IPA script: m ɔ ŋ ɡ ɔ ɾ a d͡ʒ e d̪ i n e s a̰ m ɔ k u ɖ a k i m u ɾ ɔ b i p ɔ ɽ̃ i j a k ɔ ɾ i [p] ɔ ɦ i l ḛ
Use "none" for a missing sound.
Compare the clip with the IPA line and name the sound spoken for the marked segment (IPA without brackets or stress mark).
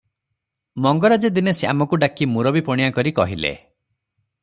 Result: k